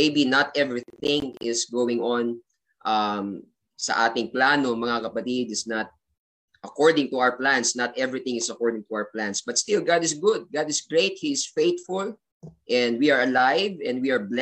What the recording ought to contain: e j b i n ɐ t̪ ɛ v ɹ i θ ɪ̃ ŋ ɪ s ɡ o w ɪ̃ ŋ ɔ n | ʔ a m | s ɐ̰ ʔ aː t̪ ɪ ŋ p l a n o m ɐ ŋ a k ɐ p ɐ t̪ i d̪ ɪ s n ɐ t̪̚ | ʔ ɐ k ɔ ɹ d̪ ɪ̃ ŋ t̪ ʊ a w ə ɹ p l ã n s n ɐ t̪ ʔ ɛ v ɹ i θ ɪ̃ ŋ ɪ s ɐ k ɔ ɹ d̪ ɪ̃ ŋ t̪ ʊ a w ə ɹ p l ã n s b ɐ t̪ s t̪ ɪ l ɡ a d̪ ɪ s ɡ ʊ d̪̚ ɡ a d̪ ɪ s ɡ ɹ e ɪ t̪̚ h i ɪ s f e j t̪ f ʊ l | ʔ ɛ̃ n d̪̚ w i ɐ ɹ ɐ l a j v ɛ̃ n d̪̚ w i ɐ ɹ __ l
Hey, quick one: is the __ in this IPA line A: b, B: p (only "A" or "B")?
A